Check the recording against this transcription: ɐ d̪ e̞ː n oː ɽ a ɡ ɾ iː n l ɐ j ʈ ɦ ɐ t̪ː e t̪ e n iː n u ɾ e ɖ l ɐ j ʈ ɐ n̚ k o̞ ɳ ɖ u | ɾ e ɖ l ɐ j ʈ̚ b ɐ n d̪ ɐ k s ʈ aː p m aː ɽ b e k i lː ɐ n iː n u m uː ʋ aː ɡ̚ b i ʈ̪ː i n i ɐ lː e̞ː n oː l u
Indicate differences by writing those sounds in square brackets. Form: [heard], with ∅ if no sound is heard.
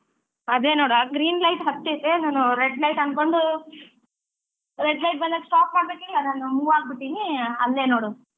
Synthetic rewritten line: ɐ d̪ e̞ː n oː ɽ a ɡ ɾ iː n l ɐ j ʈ ɦ ɐ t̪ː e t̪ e n [aː] n u ɾ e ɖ l ɐ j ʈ ɐ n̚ k o̞ ɳ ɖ u | ɾ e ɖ l ɐ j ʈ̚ b ɐ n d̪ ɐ k s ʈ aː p m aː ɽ b e k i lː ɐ n [aː] n u m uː ʋ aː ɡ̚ b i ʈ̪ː i n i ɐ lː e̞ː n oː [ɽ] u